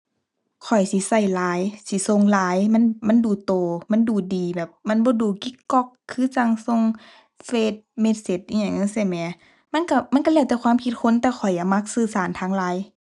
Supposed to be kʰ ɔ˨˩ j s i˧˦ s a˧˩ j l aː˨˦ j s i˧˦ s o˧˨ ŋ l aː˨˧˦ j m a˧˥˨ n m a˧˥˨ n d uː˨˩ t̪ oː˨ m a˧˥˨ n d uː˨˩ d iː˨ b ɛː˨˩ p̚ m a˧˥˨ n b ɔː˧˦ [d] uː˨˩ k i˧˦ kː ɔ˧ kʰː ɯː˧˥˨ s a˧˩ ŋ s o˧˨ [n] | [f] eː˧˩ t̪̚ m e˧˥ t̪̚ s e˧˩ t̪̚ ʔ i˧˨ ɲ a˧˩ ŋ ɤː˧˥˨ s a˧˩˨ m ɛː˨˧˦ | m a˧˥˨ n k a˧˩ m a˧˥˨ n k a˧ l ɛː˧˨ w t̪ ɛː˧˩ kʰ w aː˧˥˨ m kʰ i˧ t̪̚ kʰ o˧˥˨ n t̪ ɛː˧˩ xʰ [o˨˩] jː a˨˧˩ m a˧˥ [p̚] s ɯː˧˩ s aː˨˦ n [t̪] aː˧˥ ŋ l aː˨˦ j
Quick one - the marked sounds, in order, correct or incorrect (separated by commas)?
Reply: correct, incorrect, correct, incorrect, incorrect, incorrect